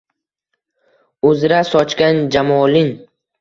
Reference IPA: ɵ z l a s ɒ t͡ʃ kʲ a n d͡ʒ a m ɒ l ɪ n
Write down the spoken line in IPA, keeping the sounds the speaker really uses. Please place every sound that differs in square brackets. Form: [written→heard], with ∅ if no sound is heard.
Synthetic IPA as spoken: ɵ z [l→ɾ] a s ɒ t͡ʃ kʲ a n d͡ʒ a m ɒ l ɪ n